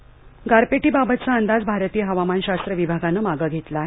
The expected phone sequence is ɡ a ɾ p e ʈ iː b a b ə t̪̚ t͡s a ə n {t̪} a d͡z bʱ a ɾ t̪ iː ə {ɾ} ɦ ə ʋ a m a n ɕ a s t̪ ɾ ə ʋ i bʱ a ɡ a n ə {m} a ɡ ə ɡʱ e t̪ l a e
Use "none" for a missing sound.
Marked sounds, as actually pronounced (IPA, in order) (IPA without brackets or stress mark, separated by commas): d̪, none, m